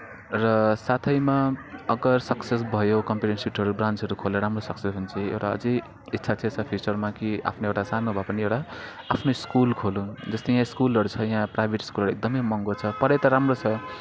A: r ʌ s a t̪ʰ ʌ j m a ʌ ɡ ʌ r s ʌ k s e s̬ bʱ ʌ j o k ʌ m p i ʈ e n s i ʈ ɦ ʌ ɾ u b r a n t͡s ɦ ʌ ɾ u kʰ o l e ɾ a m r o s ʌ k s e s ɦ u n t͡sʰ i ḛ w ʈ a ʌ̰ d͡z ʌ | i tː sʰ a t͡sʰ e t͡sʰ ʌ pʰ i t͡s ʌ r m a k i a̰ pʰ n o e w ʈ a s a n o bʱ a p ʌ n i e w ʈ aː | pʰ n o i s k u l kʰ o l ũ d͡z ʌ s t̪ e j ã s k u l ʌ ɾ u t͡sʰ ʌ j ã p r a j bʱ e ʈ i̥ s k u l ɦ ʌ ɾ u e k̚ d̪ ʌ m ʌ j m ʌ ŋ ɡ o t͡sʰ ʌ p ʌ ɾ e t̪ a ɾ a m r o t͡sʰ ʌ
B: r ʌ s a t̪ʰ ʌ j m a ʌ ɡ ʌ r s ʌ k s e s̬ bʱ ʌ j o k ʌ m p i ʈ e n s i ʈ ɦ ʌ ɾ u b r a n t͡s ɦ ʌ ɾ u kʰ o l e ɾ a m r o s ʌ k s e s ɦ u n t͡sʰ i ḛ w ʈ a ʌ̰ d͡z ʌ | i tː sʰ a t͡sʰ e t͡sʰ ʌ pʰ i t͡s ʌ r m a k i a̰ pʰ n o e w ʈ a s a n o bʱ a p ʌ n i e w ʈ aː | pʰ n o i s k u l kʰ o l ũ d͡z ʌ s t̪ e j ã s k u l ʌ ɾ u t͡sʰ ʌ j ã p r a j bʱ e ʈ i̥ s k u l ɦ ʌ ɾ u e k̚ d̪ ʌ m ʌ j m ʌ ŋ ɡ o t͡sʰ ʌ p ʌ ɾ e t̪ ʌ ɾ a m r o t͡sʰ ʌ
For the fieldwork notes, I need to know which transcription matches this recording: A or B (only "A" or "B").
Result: B